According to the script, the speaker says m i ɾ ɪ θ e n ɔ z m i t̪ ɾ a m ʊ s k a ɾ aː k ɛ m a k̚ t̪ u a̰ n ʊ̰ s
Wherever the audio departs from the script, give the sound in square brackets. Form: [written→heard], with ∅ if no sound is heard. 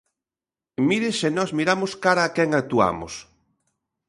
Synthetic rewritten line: m i ɾ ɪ [θ→s] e n ɔ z m i [t̪→∅] ɾ a m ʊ s k a ɾ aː k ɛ [m→ŋ] a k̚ t̪ u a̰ [n→m] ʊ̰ s